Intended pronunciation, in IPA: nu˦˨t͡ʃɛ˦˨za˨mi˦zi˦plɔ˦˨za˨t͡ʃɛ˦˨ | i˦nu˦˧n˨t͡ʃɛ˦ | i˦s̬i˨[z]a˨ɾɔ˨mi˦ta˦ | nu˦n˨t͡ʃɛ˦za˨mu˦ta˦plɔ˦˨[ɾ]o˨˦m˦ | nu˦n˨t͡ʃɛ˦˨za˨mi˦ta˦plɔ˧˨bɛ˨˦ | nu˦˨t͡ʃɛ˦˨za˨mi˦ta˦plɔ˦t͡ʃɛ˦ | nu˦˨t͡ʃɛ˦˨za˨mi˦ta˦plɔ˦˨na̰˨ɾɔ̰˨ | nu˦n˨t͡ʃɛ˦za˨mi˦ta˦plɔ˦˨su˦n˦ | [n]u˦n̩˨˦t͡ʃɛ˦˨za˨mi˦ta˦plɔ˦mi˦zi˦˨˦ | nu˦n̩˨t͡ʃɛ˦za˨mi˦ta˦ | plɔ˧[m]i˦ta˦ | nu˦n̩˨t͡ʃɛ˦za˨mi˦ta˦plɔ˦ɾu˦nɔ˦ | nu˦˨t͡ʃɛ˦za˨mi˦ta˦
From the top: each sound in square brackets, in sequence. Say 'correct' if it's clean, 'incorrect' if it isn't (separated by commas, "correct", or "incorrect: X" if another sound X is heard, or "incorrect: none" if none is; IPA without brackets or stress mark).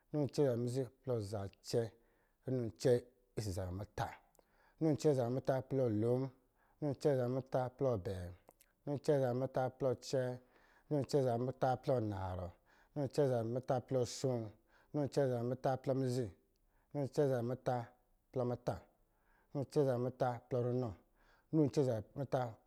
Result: correct, incorrect: l, correct, correct